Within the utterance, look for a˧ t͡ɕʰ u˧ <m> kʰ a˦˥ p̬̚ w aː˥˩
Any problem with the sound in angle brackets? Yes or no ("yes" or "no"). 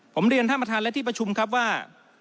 no